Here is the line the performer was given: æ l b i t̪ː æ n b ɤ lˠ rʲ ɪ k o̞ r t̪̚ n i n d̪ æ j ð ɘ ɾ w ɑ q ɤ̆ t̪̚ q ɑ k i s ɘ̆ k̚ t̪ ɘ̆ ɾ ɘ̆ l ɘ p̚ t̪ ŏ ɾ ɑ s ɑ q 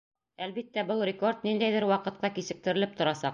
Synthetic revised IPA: æ l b i t̪ː æ b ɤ lˠ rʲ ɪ k o̞ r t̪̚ n i n d̪ æ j ð ɘ ɾ w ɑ q ɤ̆ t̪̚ q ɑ k i s ɘ̆ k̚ t̪ ɘ̆ ɾ ɘ̆ l ɘ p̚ t̪ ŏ ɾ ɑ s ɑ q